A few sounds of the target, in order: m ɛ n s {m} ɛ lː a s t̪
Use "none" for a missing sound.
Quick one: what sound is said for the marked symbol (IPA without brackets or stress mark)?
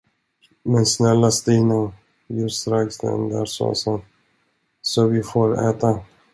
n